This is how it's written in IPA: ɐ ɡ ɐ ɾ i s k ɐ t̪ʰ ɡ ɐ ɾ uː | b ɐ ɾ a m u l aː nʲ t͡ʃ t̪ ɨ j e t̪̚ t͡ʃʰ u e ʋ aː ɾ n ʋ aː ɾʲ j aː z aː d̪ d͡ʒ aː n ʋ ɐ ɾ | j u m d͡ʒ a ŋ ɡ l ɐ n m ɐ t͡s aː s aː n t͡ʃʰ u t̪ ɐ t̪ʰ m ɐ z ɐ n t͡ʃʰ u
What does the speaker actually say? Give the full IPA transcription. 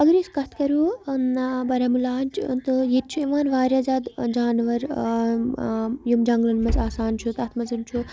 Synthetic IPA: ɐ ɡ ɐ ɾ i s k ɐ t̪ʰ k ɐ ɾ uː | b ɐ ɾ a m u l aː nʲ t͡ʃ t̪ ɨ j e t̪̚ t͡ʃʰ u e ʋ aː n ʋ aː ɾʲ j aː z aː d̪ d͡ʒ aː n ʋ ɐ ɾ | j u m d͡ʒ ɐ ŋ ɡ l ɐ n m ɐ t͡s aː s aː n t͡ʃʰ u t̪ ɐ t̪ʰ m ɐ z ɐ n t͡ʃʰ u

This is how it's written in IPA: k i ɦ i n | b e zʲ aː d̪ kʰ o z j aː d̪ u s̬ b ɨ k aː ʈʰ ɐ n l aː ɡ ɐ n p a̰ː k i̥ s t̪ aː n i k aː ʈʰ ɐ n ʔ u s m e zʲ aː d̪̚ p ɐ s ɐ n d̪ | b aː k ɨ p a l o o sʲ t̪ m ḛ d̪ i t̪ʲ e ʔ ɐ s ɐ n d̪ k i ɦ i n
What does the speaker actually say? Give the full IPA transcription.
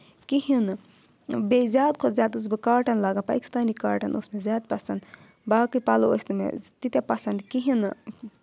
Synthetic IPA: k i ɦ i n | b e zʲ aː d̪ kʰ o z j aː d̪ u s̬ b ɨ k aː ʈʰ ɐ n l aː ɡ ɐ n p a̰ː k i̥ s t̪ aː n i k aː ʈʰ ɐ n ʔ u s m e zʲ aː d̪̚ p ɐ s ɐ n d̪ | b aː k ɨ p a l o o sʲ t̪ m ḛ t̪ i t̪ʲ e p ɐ s ɐ n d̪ k i ɦ i n

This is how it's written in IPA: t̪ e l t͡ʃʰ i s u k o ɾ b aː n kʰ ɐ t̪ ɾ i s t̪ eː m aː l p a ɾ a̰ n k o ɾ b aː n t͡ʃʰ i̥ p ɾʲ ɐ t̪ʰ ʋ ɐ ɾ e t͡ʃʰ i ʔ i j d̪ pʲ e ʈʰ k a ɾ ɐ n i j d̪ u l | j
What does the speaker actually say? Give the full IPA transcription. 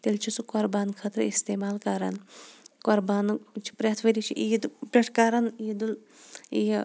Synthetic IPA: t̪ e l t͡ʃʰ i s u k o ɾ b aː n kʰ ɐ t̪ ɾ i s t̪ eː m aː l k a ɾ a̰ n k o ɾ b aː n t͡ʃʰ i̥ p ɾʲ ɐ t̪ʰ ʋ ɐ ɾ i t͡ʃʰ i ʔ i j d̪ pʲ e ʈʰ k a ɾ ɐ n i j d̪ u l | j

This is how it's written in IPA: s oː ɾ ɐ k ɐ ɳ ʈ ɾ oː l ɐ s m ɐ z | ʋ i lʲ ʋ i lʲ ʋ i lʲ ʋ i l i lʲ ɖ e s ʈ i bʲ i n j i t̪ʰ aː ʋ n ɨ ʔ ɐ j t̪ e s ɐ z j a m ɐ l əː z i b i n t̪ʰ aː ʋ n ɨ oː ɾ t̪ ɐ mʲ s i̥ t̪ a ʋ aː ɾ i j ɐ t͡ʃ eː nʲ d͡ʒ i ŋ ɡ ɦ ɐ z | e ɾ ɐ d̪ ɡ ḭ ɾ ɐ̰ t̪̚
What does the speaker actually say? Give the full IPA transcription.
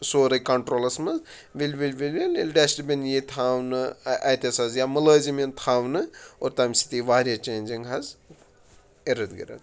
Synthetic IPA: s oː ɾ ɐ k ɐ ɳ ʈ ɾ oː l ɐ s m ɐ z | ʋ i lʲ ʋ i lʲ ʋ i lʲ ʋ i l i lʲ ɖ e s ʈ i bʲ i n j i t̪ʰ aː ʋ n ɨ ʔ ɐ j t̪ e s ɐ z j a m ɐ l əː z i m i n t̪ʰ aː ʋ n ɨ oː ɾ t̪ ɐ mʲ s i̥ t̪ i ʋ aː ɾ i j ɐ t͡ʃ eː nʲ d͡ʒ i ŋ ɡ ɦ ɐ z | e ɾ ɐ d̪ ɡ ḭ ɾ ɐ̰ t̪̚

